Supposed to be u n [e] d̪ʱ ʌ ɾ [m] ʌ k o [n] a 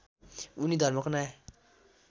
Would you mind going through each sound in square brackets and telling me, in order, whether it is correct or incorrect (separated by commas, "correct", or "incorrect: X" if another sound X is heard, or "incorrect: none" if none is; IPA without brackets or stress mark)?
incorrect: i, correct, correct